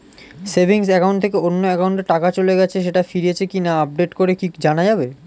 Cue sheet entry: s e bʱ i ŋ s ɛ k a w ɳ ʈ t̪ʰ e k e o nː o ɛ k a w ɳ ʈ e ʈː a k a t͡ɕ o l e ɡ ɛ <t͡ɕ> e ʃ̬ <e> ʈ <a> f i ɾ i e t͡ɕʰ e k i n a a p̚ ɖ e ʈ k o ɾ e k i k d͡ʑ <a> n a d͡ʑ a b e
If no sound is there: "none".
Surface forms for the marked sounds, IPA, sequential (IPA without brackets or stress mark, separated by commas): t͡ɕʰ, e, a, a